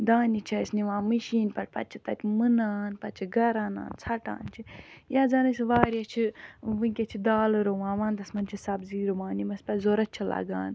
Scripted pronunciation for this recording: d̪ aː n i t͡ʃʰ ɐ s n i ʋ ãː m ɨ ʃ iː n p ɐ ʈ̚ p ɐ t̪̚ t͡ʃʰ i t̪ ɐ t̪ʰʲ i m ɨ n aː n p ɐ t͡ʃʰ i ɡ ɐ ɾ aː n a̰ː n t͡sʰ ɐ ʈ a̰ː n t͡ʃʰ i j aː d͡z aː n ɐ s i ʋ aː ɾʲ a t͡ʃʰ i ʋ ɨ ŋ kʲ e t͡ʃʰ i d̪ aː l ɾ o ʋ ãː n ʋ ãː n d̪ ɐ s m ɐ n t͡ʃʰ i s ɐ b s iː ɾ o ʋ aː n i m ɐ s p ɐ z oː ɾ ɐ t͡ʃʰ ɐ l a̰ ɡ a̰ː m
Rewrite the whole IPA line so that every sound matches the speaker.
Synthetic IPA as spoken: d̪ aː n i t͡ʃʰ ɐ s n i ʋ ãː m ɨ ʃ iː n p ɐ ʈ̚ p ɐ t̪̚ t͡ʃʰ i t̪ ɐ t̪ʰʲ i m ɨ n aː n p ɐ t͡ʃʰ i ɡ ɐ ɾ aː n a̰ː n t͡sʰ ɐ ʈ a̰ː n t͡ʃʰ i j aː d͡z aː n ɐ s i ʋ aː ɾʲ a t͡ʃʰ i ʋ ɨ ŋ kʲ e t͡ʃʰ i d̪ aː l ɾ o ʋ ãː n ʋ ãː n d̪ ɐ s m ɐ n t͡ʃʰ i s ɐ b z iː ɾ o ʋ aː n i m ɐ s p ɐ z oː ɾ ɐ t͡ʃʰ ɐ l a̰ ɡ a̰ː n